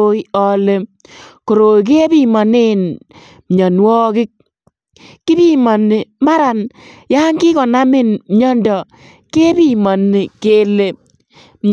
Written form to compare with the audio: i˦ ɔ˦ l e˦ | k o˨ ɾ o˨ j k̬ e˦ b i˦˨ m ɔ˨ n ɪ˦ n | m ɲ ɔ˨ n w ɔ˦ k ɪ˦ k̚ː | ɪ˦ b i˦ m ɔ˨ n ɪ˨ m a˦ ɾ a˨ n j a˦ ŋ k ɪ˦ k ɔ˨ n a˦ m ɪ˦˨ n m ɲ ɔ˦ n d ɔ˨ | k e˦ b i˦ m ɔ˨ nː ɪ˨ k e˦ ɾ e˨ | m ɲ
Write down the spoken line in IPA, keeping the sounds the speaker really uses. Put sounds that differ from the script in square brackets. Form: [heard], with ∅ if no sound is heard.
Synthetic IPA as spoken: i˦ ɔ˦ l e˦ | k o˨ ɾ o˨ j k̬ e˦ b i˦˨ m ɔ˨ n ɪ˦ n | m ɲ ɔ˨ n w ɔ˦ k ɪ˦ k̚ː | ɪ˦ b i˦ m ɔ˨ n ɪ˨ m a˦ ɾ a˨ n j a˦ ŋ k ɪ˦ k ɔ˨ n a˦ m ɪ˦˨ n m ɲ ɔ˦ n d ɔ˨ | k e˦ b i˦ m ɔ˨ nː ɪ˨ k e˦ [l] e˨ | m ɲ